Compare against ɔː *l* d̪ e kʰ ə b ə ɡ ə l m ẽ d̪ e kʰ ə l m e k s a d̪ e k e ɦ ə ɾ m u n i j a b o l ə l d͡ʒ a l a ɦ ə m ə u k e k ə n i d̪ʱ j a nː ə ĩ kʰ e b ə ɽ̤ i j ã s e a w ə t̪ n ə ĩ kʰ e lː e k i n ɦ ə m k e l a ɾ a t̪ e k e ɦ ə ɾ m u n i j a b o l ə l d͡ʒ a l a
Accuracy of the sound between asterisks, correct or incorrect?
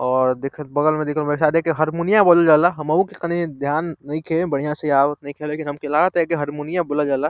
incorrect